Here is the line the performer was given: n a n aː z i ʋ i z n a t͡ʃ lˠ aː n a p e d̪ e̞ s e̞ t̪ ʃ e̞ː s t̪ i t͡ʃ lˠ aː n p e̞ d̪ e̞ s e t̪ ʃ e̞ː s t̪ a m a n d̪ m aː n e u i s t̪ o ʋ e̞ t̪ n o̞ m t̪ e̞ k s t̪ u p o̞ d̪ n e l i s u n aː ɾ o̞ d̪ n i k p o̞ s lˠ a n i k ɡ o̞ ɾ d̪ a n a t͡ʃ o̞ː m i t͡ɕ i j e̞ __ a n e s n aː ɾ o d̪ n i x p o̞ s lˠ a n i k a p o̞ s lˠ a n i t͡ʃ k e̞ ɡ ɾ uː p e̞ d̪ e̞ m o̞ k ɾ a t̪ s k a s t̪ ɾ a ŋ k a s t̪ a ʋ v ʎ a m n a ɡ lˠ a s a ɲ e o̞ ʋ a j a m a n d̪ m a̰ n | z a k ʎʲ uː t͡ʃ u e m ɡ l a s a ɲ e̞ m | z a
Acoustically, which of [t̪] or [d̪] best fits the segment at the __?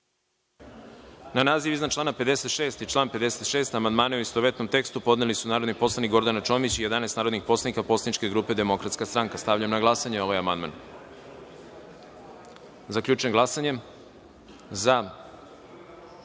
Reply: d̪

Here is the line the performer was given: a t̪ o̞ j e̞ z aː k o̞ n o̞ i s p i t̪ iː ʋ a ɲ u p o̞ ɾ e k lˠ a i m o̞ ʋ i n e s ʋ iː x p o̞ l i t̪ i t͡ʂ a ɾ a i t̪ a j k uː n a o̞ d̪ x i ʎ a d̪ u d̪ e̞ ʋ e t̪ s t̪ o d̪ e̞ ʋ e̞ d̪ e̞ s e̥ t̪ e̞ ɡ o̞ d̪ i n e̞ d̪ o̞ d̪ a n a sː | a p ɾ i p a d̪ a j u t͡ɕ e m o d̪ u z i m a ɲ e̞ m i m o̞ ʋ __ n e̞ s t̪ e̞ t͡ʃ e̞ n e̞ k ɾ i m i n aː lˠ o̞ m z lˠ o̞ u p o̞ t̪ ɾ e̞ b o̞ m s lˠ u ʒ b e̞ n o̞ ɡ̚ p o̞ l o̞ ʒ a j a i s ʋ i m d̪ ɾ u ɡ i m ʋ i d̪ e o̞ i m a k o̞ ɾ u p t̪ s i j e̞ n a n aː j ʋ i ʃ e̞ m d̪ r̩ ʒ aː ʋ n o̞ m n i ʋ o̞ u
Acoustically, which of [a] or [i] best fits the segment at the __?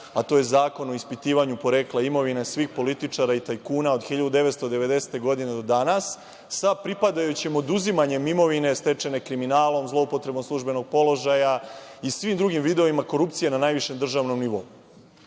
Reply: i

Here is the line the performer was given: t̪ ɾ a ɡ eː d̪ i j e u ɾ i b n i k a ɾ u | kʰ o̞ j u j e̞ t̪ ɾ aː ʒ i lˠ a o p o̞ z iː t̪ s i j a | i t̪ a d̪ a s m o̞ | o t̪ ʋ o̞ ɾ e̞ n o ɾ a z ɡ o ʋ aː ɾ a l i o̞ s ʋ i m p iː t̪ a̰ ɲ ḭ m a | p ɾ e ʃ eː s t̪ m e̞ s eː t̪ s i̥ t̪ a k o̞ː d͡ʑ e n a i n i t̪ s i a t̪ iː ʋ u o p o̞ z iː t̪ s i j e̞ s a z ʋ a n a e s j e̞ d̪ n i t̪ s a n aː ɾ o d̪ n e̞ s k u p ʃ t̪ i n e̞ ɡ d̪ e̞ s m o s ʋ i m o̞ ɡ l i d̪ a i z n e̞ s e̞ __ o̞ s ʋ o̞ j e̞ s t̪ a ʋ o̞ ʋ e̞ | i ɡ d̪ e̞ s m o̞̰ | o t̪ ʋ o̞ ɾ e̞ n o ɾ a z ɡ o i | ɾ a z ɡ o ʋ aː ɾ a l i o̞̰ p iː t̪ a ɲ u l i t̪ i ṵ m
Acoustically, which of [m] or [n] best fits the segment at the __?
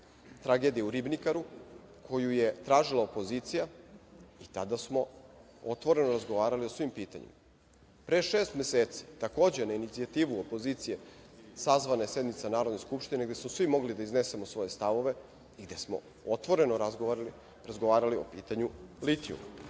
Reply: m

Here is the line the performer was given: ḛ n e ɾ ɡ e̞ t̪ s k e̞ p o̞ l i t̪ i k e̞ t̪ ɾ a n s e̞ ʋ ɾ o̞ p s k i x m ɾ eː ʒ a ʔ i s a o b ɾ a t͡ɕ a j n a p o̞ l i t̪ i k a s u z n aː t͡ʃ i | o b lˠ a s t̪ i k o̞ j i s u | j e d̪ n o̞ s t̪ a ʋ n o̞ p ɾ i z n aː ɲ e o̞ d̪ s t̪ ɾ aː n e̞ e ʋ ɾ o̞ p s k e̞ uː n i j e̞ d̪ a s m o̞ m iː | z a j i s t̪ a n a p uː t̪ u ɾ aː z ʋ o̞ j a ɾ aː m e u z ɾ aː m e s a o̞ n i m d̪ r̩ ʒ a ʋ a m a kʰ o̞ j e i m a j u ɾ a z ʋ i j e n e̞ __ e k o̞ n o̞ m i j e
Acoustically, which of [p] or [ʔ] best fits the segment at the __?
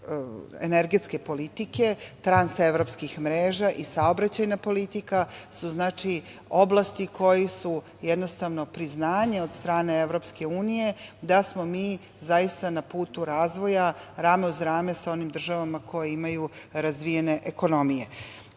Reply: ʔ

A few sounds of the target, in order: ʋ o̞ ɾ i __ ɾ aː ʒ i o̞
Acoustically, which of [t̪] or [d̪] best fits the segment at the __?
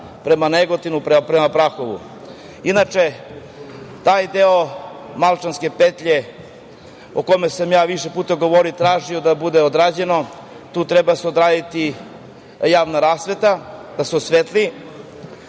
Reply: t̪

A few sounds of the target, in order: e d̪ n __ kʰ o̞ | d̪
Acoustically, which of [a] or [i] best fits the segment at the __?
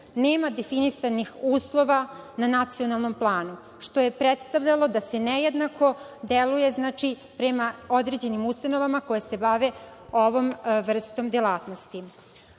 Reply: a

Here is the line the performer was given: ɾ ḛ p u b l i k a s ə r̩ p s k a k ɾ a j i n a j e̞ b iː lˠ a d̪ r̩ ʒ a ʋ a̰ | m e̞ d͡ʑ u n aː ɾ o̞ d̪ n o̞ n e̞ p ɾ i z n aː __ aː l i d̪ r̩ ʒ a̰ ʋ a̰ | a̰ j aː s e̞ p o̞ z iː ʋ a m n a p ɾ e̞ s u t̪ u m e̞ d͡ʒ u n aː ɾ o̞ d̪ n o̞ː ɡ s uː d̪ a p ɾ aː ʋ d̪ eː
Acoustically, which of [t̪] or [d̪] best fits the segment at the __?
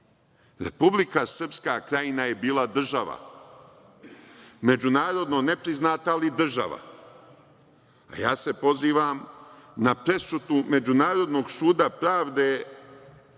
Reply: t̪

